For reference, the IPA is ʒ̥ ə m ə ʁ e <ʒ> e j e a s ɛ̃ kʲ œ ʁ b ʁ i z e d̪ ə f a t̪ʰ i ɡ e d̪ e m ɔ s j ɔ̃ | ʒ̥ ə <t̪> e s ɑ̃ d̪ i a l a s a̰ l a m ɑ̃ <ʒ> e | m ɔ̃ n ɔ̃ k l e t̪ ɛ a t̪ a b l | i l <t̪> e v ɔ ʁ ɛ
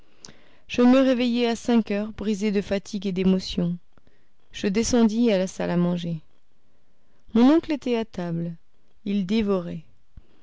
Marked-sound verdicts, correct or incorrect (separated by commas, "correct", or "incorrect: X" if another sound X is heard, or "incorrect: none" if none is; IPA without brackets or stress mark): incorrect: v, incorrect: d̪, correct, incorrect: d̪